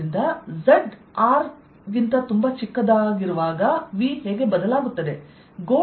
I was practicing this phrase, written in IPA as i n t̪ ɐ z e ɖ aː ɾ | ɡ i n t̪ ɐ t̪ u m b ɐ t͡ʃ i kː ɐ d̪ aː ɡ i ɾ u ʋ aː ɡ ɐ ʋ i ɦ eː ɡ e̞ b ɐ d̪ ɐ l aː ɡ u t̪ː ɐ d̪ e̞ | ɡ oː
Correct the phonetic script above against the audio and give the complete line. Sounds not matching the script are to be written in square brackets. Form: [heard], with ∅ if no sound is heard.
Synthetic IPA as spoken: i n [d̪] ɐ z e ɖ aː ɾ | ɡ i n t̪ ɐ t̪ u m b ɐ t͡ʃ i kː ɐ d̪ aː ɡ i ɾ u ʋ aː ɡ ɐ ʋ i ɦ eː ɡ e̞ b ɐ d̪ ɐ l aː ɡ u t̪ː ɐ d̪ e̞ | ɡ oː